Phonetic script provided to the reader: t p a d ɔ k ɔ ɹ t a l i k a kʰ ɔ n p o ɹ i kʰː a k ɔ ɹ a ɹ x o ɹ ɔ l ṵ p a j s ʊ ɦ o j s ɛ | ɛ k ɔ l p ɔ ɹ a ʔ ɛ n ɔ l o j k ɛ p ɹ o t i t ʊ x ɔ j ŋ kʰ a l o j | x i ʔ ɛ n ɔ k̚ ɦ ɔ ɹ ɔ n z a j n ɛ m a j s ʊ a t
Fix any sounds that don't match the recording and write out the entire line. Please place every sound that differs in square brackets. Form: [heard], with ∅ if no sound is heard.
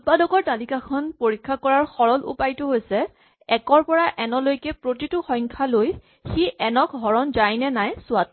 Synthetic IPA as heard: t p a d ɔ k ɔ ɹ t a l i k a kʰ ɔ n p o ɹ i kʰː a k ɔ ɹ a ɹ x [ɔ] ɹ ɔ l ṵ p a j [t] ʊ ɦ o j s ɛ | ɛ k ɔ [ɹ] p ɔ ɹ a ʔ ɛ n ɔ l o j k ɛ p ɹ o t i t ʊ x ɔ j ŋ kʰ a l o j | x i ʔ ɛ n ɔ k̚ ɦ ɔ ɹ ɔ n z a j n ɛ [n] a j s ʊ a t